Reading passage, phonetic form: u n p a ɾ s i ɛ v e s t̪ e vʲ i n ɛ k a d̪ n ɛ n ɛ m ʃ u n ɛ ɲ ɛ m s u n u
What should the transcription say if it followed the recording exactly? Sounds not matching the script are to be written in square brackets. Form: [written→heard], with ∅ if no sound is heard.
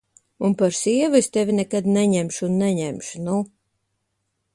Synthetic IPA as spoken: u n p a ɾ s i ɛ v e s t̪ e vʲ i n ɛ k a d̪ n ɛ [n→ɲ] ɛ m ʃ u [n→nː] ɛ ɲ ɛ m [s→ʃ] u n u

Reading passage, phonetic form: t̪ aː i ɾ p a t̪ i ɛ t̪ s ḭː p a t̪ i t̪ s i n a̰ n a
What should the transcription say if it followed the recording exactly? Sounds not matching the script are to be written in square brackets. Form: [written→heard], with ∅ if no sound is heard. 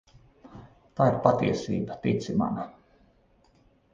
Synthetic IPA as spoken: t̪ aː i ɾ p a t̪ i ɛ [t̪→∅] s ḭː [p→b] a t̪ i t̪ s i [n→m] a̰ n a

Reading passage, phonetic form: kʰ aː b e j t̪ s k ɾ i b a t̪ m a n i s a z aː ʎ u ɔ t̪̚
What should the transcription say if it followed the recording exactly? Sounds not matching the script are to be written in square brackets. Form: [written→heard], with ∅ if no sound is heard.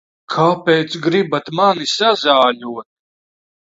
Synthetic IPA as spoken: kʰ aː [b→p] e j t̪ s [k→ɡ] ɾ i b a t̪ m a n i s a z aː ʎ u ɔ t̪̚

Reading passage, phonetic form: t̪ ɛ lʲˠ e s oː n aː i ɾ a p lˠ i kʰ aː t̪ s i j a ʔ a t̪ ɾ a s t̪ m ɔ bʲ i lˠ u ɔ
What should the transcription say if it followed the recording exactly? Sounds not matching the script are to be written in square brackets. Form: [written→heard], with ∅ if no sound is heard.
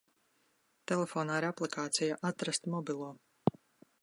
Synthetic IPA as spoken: t̪ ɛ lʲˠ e [s→f] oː n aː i ɾ a p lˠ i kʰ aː t̪ s i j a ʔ a t̪ ɾ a s t̪ m ɔ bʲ i lˠ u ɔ

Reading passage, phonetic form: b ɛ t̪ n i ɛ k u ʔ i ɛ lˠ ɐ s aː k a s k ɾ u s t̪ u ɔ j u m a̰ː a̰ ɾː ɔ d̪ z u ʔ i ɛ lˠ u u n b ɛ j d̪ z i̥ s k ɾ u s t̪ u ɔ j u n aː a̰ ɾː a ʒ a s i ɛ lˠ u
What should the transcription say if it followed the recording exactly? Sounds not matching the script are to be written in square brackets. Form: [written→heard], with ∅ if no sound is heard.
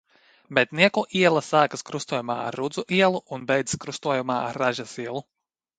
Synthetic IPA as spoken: b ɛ t̪ n i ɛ k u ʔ i ɛ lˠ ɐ s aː k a s k ɾ u s t̪ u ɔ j u m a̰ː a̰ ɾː [ɔ→u] d̪ z u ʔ i ɛ lˠ u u n b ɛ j d̪ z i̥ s k ɾ u s t̪ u ɔ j u [n→m] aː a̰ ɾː a ʒ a s i ɛ lˠ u

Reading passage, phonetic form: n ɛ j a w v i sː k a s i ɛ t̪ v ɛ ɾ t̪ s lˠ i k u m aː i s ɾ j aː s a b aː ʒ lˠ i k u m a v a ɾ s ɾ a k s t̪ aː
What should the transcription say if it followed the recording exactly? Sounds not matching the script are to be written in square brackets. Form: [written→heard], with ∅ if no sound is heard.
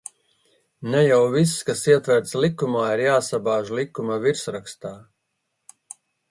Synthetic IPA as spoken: n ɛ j a w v i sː k a s i ɛ t̪ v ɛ ɾ t̪ s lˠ i k u m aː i [s→∅] ɾ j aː s a b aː ʒ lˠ i k u m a v [a→i] ɾ s ɾ a k s t̪ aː

